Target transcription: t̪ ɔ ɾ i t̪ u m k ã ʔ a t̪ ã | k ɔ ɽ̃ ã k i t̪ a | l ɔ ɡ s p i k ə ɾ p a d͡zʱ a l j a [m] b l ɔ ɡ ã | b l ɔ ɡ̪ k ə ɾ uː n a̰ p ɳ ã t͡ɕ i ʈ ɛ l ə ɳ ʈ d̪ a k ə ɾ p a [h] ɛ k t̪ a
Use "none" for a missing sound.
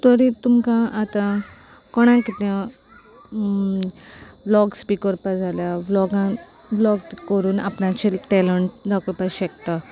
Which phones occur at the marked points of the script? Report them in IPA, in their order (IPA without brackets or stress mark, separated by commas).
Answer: none, ɕ